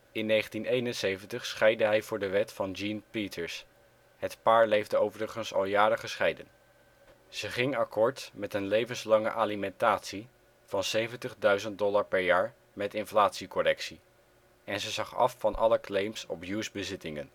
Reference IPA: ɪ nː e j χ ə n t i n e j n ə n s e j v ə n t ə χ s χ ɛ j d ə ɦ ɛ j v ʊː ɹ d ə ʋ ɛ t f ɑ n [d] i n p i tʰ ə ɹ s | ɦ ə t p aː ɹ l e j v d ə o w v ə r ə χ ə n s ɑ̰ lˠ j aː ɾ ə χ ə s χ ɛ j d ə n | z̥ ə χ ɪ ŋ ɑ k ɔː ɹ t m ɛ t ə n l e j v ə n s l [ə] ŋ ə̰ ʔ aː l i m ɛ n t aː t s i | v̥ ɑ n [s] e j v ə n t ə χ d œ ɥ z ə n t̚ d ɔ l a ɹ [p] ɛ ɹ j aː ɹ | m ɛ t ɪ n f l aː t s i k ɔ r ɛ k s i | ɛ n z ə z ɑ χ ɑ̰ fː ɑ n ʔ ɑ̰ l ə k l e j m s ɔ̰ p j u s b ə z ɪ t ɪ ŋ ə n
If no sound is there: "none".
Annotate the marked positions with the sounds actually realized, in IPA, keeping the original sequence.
d͡ʒ, ɑ, s, p

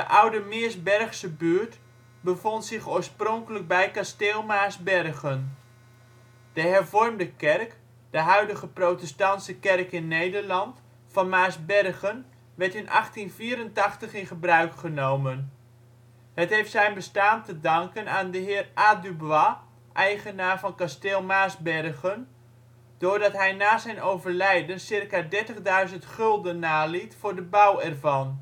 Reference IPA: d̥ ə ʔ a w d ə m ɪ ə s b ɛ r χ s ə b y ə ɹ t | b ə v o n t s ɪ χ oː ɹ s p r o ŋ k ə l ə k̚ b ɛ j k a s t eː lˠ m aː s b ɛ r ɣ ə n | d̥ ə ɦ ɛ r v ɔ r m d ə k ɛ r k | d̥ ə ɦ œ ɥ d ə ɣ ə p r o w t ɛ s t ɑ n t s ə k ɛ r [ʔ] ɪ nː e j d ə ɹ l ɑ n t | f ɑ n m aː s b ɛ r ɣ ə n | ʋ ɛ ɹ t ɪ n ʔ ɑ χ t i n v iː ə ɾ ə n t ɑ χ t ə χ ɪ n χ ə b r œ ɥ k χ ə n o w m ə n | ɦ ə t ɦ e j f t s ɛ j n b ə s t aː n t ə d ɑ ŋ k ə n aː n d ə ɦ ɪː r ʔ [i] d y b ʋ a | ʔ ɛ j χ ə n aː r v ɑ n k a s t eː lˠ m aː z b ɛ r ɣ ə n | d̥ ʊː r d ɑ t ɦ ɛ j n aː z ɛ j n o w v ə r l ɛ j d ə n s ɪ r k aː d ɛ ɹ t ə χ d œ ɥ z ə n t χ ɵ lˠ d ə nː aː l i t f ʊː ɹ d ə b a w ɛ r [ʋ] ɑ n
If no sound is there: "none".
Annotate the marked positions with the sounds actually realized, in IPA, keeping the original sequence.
k, a, v

